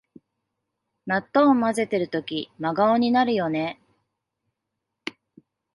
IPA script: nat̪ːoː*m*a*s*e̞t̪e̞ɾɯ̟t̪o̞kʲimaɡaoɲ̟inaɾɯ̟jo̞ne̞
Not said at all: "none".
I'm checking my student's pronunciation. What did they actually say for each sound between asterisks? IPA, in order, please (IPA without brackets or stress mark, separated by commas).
m, z